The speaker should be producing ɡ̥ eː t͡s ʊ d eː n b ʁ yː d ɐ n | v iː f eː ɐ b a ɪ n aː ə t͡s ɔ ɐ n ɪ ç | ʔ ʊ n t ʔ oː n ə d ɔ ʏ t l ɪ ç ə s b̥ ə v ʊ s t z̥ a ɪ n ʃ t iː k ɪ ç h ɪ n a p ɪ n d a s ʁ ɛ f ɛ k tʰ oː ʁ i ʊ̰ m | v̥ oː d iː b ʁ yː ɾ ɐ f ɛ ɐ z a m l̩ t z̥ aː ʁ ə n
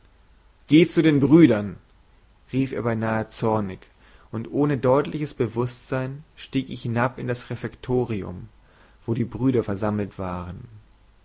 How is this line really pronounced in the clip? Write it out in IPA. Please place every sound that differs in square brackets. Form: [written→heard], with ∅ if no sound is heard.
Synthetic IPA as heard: ɡ̥ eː t͡s [ʊ→u] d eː n b ʁ yː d ɐ n | [v→ʁ] iː f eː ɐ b a ɪ n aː ə t͡s ɔ ɐ n ɪ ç | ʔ ʊ n t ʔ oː n ə d ɔ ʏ t l ɪ ç ə s b̥ ə v ʊ s t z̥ a ɪ n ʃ t iː k ɪ ç h ɪ n a p ɪ n d a s ʁ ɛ f ɛ k tʰ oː ʁ i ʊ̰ m | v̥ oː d iː b ʁ yː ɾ ɐ f ɛ ɐ z a m l̩ t [z̥→v̥] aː ʁ ə n